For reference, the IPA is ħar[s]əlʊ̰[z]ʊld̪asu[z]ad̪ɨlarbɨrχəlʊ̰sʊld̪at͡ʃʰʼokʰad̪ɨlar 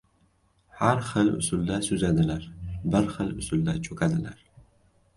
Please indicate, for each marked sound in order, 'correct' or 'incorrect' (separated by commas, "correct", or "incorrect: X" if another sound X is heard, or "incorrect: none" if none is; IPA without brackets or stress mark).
incorrect: χ, incorrect: s, correct